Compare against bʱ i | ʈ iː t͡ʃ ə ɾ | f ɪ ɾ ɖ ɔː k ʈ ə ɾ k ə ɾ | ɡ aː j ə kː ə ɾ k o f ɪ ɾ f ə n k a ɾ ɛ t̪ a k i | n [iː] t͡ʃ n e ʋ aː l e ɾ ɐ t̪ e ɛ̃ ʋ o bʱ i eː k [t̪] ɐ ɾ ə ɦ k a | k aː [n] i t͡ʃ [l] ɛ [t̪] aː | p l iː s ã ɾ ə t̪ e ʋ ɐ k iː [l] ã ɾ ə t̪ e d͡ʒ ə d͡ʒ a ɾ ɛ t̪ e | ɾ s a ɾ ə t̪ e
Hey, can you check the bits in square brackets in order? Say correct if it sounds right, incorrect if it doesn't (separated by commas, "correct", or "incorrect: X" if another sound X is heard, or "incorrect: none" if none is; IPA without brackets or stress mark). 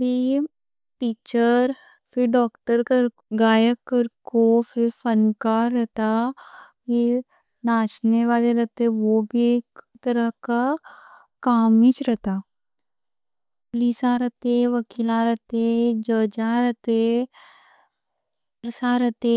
incorrect: aː, correct, incorrect: m, incorrect: ɾ, correct, correct